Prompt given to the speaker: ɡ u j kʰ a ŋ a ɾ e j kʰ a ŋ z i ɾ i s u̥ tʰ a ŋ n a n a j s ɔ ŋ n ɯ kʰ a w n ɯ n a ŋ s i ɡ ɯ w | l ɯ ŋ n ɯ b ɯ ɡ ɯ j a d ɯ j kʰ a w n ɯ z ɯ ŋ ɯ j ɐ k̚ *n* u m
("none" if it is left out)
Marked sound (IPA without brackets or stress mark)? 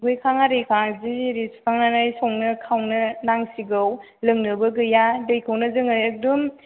d